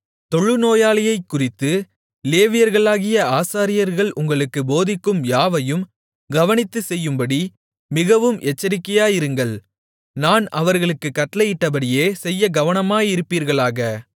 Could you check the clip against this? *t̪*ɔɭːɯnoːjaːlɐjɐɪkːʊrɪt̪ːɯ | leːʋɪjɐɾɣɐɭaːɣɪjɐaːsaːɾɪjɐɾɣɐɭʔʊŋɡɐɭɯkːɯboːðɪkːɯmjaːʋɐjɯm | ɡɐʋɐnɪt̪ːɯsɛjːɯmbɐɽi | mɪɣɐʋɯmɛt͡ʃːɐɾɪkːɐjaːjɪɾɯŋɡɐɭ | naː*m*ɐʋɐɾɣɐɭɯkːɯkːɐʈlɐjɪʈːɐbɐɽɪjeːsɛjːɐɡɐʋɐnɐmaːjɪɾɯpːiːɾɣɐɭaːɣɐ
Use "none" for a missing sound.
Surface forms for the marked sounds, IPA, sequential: t̪, n

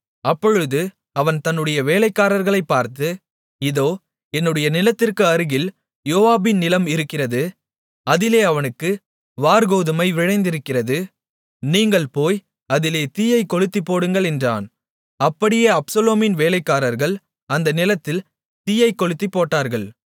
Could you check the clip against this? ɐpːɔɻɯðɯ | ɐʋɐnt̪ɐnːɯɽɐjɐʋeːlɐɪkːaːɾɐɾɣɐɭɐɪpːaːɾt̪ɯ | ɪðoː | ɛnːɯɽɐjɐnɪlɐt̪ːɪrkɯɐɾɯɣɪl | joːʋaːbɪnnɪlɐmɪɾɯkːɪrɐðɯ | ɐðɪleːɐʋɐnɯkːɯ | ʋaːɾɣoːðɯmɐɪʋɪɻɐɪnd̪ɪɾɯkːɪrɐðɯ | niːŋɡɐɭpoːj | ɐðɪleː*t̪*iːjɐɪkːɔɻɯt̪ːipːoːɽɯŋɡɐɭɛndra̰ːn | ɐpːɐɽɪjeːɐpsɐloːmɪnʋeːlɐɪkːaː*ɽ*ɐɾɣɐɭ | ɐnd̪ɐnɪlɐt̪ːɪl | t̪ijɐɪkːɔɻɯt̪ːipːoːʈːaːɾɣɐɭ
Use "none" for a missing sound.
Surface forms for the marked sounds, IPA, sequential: t̪, ɾ

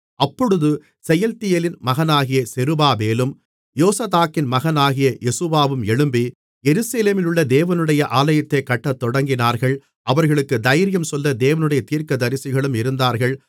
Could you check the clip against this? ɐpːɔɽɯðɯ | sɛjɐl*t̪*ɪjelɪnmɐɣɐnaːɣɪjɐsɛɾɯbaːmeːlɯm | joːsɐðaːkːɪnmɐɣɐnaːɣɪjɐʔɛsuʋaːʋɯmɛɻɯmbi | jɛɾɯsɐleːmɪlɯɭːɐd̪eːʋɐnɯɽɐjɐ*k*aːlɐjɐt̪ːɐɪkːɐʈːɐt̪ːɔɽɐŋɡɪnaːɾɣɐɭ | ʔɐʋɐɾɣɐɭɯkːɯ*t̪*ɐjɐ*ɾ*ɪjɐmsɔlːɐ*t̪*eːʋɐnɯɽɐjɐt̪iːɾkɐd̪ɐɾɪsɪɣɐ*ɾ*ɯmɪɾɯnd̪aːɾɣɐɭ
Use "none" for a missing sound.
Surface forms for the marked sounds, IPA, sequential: t̪, ʔ, d̪, ɾ, d̪, ɭ

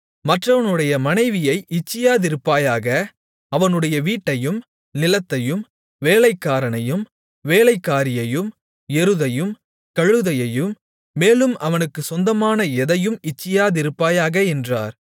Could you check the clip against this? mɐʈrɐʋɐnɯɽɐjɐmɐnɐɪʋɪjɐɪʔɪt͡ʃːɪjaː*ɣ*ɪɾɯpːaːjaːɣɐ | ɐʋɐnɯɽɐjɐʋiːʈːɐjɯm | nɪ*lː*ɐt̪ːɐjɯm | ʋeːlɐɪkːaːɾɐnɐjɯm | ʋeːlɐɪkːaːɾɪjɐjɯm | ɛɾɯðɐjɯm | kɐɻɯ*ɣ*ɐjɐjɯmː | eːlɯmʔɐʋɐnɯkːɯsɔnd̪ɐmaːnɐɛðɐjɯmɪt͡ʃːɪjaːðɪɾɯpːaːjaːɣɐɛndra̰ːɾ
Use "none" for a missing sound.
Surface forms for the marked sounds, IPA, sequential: ð, l, ð

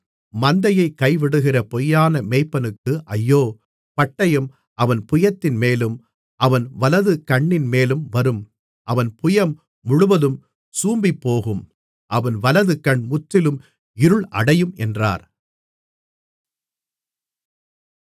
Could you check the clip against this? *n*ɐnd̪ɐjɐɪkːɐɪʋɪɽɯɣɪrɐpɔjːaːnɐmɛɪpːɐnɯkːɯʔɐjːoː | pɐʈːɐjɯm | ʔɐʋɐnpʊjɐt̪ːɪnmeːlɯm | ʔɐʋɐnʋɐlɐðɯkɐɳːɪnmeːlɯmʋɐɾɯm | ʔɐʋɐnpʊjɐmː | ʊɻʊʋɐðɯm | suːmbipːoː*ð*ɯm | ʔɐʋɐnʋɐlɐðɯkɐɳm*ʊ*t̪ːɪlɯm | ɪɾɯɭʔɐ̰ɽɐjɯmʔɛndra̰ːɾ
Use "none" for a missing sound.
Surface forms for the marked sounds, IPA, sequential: m, ɣ, ʊ

